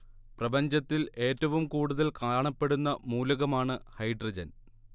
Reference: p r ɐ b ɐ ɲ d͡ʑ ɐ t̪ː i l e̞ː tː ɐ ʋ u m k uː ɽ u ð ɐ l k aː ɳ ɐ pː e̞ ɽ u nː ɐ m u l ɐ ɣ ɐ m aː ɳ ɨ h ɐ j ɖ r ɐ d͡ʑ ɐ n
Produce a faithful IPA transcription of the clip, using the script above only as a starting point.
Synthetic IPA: p r ɐ b ɐ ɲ d͡ʑ ɐ t̪ː i l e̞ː tː ɐ ʋ u m k uː ɽ u ð ɐ l k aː ɳ ɐ pː e̞ ɽ u nː ɐ m uː l ɐ ɣ ɐ m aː ɳ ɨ h ɐ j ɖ r ɐ d͡ʑ ɐ n